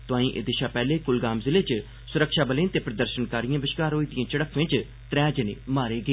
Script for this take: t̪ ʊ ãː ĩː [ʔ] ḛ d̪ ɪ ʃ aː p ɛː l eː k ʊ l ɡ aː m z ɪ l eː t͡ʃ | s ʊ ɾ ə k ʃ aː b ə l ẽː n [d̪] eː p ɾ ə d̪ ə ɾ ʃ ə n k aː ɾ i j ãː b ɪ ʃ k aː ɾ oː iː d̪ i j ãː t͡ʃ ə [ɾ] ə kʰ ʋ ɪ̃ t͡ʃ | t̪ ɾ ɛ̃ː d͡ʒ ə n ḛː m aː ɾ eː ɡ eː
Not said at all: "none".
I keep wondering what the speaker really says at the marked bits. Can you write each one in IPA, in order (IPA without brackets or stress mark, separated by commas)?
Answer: ʔ, t̪, ɽ